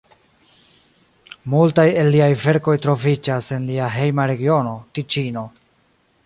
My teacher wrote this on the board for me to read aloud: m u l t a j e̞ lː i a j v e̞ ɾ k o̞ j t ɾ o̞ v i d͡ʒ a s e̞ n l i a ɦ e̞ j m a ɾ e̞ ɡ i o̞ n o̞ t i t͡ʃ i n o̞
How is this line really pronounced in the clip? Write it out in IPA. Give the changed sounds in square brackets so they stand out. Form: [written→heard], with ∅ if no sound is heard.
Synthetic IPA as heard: m u l t a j e̞ lː i a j v e̞ ɾ k o̞ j t ɾ o̞ v i d͡ʒ a s e̞ n l i a ɦ e̞ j m a ɾ e̞ ɡ i o̞ n o̞ t i t͡ʃ i n o̞